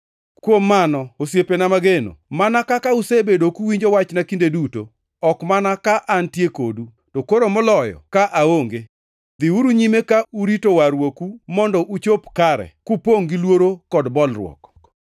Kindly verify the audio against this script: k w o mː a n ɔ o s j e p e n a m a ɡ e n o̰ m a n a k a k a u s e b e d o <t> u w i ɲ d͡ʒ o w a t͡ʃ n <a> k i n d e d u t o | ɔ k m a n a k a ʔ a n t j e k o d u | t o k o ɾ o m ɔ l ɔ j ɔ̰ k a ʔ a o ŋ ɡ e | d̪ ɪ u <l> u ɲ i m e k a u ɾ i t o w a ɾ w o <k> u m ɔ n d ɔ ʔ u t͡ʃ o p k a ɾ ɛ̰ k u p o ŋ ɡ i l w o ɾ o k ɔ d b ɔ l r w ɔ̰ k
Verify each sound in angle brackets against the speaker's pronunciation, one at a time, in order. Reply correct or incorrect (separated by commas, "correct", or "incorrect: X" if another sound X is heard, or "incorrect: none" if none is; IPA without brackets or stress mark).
incorrect: k, correct, incorrect: ɾ, correct